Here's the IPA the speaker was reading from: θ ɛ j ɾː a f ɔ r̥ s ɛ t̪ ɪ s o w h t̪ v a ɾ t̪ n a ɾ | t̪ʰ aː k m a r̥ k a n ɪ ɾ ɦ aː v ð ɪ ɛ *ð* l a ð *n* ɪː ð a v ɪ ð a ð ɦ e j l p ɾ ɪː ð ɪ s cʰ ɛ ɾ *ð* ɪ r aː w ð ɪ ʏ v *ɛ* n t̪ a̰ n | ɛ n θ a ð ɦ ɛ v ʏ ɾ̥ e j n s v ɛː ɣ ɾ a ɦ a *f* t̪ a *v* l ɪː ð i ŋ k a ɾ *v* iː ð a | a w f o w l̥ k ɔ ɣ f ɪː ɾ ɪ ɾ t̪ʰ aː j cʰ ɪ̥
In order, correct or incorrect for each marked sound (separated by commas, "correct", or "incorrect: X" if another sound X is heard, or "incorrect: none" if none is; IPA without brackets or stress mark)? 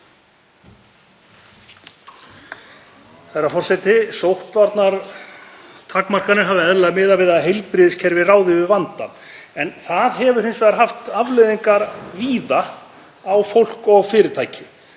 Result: correct, incorrect: m, incorrect: v, incorrect: a, correct, correct, correct